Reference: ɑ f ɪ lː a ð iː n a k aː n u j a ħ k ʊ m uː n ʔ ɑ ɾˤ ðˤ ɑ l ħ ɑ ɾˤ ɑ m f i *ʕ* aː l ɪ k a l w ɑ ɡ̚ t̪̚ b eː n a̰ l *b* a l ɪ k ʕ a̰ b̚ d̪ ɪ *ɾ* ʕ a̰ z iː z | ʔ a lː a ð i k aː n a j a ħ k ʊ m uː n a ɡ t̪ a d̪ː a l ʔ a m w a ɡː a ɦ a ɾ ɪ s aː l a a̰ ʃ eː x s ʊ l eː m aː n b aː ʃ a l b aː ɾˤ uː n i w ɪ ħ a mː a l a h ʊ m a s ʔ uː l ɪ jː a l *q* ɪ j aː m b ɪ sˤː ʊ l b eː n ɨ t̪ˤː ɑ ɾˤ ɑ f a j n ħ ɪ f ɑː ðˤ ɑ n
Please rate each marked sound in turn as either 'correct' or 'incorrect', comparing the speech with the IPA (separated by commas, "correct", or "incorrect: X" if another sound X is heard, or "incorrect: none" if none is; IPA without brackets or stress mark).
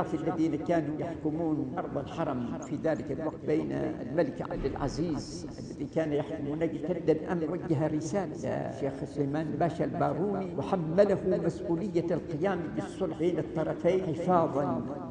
incorrect: ð, incorrect: m, incorrect: l, correct